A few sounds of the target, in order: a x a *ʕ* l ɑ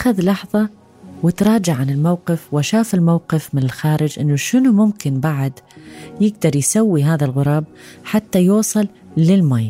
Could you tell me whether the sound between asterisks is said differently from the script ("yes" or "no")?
yes